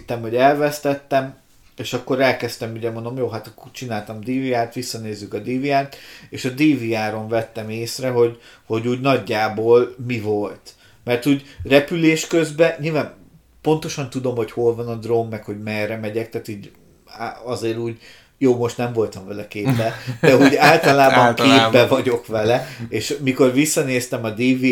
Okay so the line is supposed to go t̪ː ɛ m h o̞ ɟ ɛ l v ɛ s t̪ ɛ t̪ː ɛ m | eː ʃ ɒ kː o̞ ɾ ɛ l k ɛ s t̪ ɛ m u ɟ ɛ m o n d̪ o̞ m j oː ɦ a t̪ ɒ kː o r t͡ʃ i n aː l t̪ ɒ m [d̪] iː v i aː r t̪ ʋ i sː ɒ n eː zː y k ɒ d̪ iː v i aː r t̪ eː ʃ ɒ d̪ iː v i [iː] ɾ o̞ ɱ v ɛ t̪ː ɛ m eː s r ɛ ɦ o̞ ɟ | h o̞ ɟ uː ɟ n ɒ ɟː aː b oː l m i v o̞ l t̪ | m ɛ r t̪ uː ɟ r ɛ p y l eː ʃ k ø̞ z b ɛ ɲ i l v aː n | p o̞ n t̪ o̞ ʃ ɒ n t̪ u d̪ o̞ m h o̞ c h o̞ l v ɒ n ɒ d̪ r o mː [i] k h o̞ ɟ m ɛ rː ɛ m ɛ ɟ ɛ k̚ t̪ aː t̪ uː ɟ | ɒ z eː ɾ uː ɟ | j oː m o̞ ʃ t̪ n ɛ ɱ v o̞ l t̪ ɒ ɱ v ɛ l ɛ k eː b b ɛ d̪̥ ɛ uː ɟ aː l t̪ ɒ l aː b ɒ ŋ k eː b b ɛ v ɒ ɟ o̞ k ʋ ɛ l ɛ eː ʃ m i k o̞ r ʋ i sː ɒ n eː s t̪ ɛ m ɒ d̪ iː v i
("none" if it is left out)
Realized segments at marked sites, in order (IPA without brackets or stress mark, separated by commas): d̪, aː, ɛ